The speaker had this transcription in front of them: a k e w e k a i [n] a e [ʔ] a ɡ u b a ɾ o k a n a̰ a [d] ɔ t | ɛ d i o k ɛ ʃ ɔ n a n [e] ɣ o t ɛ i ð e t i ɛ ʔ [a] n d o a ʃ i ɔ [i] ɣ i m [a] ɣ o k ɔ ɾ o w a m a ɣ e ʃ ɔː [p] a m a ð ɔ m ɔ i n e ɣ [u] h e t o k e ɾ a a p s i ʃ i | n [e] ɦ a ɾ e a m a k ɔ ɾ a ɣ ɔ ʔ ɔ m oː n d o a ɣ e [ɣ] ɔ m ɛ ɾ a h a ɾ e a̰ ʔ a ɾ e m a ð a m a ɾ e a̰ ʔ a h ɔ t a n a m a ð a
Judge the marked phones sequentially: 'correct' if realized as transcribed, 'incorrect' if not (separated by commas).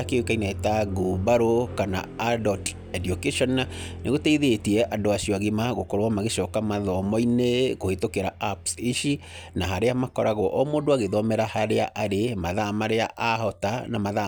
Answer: correct, incorrect, correct, correct, correct, incorrect, correct, incorrect, incorrect, incorrect, incorrect